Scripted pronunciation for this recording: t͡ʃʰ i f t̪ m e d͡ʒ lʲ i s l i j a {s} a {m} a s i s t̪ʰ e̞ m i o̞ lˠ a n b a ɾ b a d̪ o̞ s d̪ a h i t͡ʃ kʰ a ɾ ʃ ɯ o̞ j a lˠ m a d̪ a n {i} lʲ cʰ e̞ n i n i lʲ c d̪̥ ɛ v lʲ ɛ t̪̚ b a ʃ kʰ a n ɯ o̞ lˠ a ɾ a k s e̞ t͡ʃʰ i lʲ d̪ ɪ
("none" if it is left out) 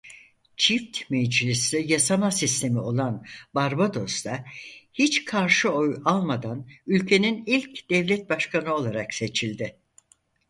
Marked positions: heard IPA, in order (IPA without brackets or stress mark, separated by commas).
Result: s, m, y